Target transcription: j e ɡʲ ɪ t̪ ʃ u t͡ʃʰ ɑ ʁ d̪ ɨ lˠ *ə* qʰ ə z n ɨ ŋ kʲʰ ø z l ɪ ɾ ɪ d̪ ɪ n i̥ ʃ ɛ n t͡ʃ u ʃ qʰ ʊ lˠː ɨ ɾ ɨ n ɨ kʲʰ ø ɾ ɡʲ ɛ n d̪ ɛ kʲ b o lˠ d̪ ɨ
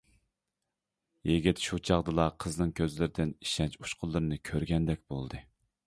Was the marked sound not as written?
yes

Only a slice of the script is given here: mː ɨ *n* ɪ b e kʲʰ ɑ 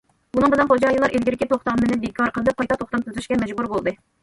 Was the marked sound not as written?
no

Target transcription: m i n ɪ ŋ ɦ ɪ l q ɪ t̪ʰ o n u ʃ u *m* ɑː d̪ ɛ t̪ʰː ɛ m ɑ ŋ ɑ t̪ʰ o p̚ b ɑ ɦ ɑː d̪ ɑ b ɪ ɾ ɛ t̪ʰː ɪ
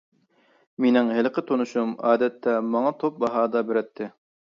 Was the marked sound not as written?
no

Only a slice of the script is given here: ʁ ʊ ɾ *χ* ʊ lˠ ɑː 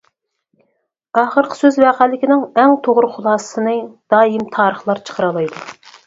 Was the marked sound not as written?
no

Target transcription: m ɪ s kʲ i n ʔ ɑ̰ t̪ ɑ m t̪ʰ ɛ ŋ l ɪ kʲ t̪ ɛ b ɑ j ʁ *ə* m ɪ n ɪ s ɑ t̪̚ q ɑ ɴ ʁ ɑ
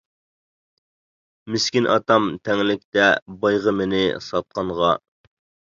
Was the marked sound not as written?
no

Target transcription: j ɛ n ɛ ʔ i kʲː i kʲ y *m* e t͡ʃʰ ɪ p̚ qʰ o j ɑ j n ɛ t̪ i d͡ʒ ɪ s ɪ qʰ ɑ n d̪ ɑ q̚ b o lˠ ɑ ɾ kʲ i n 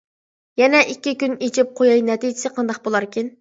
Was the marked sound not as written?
yes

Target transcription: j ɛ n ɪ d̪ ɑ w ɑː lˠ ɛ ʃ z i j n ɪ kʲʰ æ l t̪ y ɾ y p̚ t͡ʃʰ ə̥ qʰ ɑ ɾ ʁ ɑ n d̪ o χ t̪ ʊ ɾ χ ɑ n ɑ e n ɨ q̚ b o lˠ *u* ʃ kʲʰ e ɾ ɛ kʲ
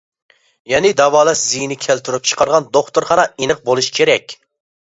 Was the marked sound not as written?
no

